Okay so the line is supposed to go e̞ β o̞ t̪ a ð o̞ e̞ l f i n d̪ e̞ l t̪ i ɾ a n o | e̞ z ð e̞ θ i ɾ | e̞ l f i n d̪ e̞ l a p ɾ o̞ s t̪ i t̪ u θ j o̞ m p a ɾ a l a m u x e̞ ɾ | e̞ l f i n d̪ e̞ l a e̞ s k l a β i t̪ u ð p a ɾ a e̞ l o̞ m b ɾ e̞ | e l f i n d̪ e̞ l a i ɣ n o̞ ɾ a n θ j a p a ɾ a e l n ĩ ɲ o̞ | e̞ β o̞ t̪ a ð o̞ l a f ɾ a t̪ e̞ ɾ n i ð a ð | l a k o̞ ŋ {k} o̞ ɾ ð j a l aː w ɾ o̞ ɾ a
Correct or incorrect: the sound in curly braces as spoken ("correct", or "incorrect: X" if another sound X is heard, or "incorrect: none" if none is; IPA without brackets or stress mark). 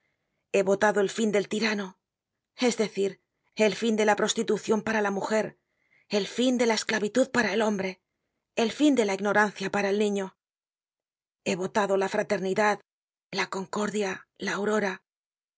correct